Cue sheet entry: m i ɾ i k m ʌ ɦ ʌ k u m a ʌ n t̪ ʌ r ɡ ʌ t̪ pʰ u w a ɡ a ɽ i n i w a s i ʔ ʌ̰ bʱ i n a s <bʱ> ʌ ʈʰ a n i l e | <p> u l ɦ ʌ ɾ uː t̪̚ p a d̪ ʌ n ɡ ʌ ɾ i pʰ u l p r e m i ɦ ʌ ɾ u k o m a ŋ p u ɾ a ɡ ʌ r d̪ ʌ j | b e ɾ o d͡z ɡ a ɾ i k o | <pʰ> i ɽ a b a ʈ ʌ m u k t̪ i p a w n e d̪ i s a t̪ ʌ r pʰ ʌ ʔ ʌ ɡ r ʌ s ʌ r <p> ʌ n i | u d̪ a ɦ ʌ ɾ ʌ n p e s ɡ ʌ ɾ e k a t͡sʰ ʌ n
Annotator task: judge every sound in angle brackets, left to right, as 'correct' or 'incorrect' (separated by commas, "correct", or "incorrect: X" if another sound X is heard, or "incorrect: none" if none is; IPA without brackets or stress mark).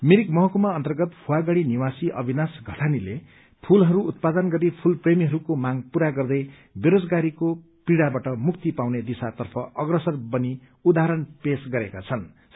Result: incorrect: ɡʱ, incorrect: pʰ, incorrect: p, incorrect: b